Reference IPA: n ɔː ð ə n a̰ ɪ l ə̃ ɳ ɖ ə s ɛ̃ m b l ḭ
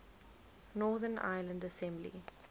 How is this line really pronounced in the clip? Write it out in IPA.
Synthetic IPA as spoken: n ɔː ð ə n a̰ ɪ l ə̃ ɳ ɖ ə s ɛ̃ m b l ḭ